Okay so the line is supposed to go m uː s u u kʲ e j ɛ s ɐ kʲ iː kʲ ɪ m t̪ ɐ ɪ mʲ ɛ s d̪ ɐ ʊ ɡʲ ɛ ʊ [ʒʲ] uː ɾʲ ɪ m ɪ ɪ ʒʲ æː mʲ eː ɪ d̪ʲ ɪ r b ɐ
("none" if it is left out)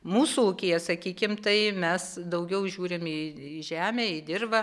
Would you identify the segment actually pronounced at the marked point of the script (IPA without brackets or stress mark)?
ʒʲ